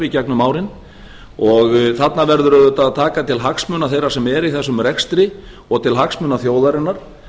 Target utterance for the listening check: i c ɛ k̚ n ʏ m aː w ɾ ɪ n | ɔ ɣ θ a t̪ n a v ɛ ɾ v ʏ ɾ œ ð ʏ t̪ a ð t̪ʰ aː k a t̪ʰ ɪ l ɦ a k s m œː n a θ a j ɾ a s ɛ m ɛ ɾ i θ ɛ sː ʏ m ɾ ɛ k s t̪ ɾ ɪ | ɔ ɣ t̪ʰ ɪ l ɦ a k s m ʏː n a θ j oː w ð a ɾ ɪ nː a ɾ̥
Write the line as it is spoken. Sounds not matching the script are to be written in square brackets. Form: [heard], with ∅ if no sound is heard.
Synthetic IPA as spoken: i c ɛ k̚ n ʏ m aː w ɾ ɪ n | ɔ ɣ θ a t̪ n a v ɛ ɾ [ð] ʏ ɾ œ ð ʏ t̪ a ð t̪ʰ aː k a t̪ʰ ɪ l ɦ a k s m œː n a θ [e] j ɾ a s ɛ m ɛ ɾ i θ ɛ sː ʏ m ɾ ɛ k s t̪ ɾ ɪ | ɔ ɣ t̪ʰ ɪ l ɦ a k s m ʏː n a θ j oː w ð a ɾ ɪ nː a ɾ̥